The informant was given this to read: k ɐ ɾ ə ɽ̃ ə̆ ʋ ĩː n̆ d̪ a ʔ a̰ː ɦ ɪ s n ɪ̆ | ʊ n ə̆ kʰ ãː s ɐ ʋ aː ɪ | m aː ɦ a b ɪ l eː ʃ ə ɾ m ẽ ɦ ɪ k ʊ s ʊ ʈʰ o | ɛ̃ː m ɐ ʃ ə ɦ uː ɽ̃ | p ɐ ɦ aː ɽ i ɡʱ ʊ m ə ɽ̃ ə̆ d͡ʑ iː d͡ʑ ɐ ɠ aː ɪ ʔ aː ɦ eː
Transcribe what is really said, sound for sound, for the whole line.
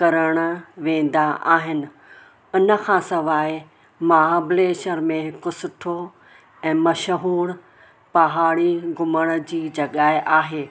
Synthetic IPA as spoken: k ɐ ɾ ə ɽ̃ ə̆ ʋ ẽː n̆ d̪ a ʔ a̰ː ɦ ɪ n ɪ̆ | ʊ n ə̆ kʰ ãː s ɐ ʋ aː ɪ | m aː ɦ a b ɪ l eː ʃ ə ɾ m ẽ ɦ ɪ k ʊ s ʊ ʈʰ o | ɛ̃ː m ɐ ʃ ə ɦ uː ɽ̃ | p ɐ ɦ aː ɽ i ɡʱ ʊ m ə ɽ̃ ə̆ d͡ʑ iː d͡ʑ ɐ ɠ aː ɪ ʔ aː ɦ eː